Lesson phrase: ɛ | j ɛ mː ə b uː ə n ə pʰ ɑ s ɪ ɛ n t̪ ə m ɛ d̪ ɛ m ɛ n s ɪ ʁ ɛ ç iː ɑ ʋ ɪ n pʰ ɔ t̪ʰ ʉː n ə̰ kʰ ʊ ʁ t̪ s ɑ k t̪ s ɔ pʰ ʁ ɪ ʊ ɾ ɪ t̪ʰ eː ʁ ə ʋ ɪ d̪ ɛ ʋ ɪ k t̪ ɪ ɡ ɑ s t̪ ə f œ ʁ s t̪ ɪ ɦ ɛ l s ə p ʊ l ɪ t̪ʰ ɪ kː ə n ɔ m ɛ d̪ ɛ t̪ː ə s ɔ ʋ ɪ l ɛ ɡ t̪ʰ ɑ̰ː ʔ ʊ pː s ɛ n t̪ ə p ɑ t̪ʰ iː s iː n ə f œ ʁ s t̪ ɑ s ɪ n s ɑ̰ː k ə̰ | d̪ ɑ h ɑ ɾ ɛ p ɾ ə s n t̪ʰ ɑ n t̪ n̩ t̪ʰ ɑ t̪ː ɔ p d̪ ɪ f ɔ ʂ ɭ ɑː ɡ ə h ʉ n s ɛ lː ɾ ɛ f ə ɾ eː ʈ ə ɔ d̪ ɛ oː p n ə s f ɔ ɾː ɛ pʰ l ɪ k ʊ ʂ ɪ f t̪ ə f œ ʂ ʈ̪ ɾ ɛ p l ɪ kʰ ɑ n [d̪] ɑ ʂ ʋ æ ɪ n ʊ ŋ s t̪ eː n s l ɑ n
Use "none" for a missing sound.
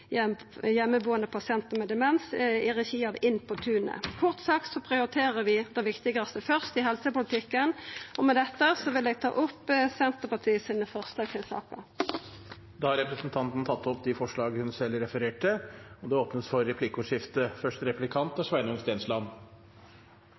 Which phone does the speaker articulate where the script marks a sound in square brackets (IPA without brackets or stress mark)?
t̪